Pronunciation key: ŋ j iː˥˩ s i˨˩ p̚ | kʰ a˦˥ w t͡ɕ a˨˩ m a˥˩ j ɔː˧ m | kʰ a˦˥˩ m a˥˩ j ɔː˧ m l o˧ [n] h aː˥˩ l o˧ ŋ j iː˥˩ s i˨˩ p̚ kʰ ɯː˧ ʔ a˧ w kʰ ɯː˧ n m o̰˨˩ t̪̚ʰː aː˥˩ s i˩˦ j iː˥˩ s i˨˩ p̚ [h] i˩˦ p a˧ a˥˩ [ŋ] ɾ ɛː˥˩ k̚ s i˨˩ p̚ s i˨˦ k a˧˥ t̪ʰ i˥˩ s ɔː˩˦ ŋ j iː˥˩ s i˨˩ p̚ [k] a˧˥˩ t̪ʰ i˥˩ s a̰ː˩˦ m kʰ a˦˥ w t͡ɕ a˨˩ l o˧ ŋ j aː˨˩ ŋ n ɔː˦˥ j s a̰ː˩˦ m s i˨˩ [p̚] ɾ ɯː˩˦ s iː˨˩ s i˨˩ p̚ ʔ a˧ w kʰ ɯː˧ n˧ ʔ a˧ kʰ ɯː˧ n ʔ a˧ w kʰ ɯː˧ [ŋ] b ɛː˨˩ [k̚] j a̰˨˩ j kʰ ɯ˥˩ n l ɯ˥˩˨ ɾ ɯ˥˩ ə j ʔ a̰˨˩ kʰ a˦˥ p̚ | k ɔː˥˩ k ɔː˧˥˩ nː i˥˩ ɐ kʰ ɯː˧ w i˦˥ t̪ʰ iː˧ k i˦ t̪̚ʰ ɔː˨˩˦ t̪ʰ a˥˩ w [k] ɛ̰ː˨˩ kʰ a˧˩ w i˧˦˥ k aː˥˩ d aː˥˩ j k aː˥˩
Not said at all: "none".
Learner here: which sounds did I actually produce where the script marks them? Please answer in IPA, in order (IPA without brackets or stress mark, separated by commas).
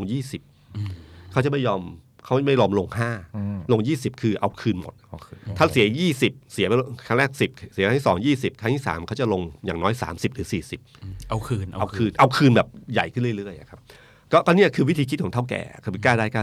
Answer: ŋ, s, ŋ, kʰ, p̚, n, p̚, k